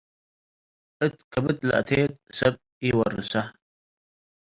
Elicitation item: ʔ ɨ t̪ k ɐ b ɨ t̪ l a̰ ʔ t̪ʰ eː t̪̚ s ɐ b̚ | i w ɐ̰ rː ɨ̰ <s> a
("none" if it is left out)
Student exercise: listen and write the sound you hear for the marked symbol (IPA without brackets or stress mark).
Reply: s